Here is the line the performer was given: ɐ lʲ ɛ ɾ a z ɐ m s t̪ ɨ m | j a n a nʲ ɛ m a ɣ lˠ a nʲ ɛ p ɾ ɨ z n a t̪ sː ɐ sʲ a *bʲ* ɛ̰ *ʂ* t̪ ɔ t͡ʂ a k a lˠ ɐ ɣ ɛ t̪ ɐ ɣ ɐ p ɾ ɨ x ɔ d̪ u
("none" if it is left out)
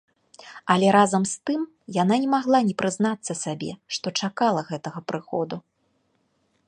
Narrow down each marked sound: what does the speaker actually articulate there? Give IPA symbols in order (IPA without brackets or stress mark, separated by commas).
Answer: bʲ, ʂ